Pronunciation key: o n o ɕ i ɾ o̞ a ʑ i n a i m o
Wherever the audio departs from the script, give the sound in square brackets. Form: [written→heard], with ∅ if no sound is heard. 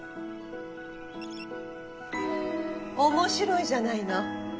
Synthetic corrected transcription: o [n→m] o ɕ i ɾ o̞ [a→i] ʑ [i→a] n a i [m→n] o